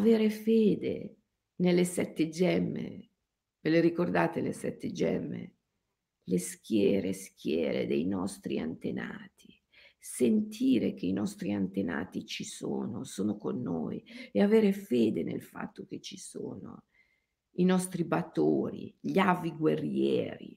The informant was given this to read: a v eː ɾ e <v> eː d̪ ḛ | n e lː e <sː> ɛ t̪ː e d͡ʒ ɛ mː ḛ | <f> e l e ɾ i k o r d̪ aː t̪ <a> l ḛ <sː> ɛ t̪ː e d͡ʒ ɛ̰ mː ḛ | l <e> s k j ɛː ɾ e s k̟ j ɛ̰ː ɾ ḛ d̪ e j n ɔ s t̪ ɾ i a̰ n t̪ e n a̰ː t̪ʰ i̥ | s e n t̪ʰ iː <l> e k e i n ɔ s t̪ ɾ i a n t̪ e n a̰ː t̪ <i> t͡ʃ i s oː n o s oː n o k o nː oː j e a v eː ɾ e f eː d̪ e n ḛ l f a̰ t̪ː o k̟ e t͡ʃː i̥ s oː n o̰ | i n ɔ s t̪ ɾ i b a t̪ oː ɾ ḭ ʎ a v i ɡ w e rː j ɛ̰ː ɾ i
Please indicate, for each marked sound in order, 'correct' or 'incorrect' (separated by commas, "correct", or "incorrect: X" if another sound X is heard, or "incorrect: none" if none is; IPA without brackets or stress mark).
incorrect: f, incorrect: s, incorrect: v, incorrect: e, incorrect: s, correct, incorrect: ɾ, correct